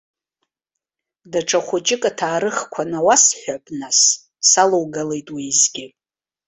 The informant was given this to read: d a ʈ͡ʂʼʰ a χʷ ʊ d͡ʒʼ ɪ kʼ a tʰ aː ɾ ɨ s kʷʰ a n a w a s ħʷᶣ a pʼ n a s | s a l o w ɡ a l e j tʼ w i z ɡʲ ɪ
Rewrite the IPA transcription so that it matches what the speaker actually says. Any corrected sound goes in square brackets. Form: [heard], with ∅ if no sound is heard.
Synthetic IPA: d a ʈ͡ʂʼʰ a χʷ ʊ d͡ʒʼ ɪ kʼ a tʰ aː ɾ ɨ [χ] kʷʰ a n a w a s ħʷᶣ a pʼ n a s | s a l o w ɡ a l e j tʼ w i z ɡʲ ɪ